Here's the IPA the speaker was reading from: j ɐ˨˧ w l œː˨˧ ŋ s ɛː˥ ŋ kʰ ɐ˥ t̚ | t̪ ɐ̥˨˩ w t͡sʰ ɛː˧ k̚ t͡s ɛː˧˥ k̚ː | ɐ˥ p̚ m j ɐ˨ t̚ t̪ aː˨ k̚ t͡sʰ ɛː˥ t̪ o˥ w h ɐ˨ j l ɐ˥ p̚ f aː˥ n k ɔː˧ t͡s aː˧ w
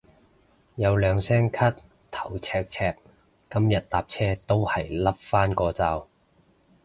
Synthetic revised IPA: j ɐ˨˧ w l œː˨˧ ŋ s ɛː˥ ŋ kʰ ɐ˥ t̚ | t̪ʰ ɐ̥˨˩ w t͡sʰ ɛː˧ k̚ t͡sʰ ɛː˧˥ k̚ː | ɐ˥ m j ɐ˨ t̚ t̪ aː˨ p̚ t͡sʰ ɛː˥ t̪ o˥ w h ɐ˨ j l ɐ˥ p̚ f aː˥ n k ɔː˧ t͡s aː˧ w